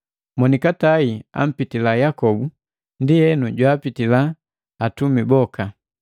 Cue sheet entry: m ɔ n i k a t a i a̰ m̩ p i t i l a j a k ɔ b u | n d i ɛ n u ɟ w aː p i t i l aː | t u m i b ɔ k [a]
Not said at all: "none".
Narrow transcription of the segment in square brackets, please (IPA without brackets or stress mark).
a